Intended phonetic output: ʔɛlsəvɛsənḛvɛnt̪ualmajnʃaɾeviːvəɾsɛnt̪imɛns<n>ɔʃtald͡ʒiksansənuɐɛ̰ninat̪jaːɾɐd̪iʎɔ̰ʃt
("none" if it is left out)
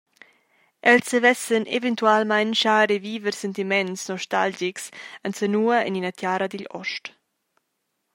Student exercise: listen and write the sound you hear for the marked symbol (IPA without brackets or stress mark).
n